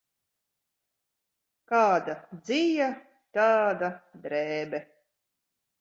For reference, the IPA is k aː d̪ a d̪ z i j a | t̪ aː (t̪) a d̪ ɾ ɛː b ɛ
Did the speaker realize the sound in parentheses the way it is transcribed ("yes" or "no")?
no